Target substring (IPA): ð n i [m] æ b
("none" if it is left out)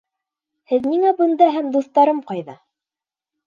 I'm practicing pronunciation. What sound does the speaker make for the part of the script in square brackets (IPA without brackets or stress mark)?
ŋ